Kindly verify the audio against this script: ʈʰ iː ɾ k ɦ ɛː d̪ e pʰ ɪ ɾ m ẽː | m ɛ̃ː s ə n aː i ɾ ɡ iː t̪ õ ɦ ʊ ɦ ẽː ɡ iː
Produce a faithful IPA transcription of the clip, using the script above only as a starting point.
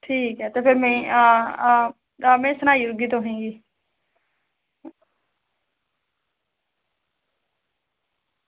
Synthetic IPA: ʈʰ iː k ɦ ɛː t̪ e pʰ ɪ ɾ m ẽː | m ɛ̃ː s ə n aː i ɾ ɡ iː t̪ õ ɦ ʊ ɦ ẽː ɡ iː